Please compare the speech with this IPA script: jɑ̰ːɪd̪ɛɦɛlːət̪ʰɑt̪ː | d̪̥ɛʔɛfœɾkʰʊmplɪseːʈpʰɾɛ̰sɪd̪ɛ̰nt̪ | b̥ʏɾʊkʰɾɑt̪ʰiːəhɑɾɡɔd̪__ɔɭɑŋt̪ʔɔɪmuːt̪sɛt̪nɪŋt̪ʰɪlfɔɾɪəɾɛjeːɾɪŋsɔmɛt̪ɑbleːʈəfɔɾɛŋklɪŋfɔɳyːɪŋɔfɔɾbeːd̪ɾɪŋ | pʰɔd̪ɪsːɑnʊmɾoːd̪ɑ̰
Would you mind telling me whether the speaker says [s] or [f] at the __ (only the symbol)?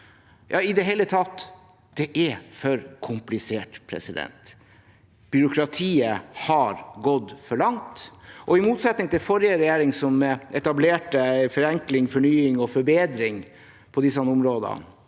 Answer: f